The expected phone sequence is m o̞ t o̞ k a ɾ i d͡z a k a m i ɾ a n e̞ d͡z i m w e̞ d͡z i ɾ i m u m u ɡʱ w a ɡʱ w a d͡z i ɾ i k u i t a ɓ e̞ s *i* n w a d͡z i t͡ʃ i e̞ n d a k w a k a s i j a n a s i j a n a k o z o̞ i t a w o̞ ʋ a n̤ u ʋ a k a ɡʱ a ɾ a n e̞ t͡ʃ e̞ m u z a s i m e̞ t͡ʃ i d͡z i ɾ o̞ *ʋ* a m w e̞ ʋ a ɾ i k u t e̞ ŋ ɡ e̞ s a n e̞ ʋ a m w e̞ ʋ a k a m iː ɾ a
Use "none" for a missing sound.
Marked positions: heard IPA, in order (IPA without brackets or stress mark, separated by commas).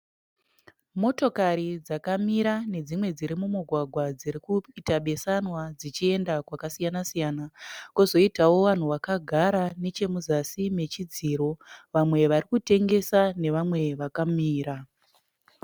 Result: a, ʋ